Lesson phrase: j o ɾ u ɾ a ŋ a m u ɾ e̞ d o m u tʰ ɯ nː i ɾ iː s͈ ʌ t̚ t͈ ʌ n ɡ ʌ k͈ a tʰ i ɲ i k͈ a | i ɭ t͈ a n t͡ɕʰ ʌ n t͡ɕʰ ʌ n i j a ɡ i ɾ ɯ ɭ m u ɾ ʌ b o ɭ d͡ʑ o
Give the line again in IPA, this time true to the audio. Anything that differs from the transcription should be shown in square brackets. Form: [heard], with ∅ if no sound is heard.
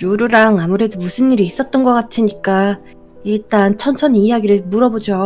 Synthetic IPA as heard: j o ɾ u ɾ a ŋ a m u ɾ e̞ d o m u [sʰ] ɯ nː i ɾ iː s͈ ʌ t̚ t͈ ʌ n ɡ ʌ k͈ a tʰ i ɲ i k͈ a | i ɭ t͈ a n t͡ɕʰ ʌ n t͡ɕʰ ʌ n i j a ɡ i ɾ ɯ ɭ m u ɾ ʌ b o [∅] d͡ʑ o